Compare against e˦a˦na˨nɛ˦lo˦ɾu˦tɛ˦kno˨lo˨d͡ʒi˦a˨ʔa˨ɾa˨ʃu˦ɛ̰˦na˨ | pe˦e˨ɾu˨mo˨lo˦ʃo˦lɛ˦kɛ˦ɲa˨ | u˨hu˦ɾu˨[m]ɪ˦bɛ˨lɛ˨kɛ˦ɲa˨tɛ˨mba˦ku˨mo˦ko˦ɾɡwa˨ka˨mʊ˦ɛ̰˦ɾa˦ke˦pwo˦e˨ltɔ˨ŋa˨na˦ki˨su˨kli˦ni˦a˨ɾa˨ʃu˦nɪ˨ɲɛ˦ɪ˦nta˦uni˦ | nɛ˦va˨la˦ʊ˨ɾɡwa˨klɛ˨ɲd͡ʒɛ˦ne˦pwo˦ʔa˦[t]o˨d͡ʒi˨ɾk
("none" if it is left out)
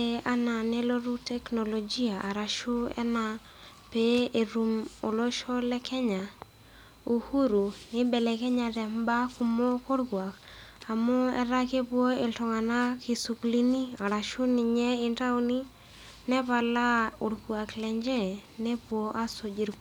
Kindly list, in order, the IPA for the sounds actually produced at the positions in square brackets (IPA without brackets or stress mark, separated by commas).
n, s